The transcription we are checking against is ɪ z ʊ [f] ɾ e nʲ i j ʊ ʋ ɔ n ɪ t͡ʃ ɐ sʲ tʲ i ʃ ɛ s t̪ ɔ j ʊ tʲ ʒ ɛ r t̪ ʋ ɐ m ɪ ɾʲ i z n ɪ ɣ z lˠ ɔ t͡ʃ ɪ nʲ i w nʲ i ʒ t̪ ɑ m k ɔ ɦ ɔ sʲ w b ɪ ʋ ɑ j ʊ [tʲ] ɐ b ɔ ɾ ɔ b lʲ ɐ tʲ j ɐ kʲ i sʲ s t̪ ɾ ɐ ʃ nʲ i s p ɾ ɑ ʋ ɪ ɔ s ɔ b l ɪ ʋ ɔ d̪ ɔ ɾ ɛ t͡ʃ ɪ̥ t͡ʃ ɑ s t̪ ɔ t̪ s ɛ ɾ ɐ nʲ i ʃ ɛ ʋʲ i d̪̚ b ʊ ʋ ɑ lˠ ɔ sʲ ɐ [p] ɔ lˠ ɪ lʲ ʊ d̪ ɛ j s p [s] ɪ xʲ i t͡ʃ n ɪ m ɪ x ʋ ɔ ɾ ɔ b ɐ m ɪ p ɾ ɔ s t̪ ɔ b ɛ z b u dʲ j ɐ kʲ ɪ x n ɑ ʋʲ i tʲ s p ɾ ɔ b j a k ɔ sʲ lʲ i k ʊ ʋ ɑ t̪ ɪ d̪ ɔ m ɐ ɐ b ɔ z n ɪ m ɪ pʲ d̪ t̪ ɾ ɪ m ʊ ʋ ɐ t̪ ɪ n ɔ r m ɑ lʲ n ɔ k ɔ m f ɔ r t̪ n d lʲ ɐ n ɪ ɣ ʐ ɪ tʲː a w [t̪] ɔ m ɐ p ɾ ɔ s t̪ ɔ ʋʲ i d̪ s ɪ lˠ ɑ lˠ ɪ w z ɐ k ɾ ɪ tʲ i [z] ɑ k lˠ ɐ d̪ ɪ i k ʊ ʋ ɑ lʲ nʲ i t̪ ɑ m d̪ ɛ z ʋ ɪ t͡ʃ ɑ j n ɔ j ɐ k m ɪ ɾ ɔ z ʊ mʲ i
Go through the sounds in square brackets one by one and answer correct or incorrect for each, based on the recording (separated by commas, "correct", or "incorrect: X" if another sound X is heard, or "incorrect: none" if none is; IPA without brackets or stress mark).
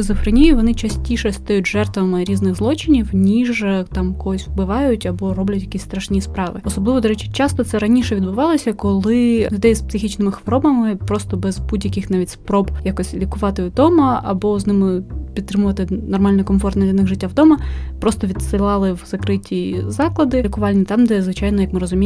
correct, correct, incorrect: k, correct, incorrect: d̪, correct